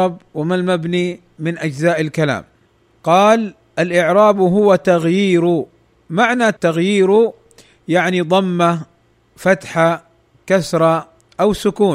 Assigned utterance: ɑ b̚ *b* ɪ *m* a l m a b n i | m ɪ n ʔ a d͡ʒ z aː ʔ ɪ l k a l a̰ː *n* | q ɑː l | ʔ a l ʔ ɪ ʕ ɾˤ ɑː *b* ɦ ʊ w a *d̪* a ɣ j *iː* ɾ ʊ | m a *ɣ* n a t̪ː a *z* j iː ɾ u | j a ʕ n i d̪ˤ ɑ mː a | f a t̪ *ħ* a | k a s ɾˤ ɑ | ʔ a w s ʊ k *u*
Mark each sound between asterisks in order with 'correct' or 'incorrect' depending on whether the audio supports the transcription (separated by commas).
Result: incorrect, correct, incorrect, correct, incorrect, correct, incorrect, incorrect, correct, incorrect